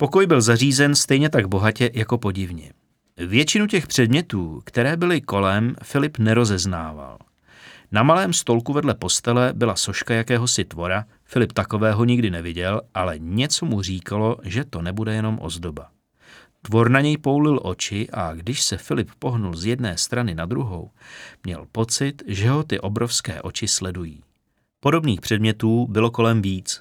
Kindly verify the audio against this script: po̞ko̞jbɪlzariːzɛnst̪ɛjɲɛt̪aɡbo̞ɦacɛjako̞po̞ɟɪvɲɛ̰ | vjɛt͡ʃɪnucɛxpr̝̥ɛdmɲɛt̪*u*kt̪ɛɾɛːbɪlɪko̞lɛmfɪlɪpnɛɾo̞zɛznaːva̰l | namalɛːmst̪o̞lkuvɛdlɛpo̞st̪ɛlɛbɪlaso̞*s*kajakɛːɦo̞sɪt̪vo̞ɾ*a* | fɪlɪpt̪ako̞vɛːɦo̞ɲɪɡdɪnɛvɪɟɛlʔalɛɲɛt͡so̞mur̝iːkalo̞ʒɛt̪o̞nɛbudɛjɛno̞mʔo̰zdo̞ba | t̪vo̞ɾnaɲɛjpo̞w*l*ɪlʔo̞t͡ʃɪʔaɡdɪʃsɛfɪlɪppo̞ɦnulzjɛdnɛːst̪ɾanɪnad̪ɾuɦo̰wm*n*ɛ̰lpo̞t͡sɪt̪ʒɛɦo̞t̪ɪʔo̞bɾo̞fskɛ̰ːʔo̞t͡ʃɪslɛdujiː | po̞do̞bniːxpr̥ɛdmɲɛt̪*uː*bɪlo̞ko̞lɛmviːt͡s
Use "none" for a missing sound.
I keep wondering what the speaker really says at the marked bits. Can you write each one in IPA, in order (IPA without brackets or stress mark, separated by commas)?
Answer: uː, ʃ, a, l, ɲ, uː